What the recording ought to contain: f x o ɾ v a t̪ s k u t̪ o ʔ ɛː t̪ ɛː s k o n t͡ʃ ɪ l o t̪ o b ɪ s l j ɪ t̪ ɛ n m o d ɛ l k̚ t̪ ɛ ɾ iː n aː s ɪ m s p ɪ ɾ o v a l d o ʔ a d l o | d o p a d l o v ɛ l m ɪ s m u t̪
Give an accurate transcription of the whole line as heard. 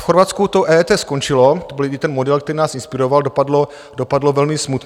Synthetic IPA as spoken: f x o ɾ v a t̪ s k u t̪ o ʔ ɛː t̪ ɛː s k o n t͡ʃ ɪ l o t̪ o b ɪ l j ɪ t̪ ɛ n m o d ɛ l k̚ t̪ ɛ ɾ iː n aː s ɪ n s p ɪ ɾ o v a l d o p a d l o | d o p a d l o v ɛ l m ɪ s m u t̪